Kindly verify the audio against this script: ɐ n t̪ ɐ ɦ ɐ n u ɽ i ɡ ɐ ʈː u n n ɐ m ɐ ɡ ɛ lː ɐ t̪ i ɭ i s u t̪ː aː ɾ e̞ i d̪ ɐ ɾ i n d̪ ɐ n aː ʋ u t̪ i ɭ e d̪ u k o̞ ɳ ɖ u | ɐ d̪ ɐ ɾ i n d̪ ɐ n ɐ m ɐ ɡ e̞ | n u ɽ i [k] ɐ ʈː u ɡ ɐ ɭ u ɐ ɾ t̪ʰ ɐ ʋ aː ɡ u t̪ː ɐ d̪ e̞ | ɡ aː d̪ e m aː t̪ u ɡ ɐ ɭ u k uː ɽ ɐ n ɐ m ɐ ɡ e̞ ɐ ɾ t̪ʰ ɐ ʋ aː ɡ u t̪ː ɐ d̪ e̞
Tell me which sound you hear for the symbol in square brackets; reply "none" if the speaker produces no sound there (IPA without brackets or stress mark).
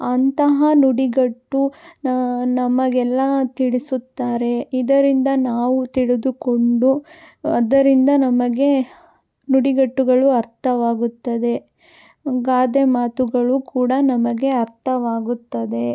ɡ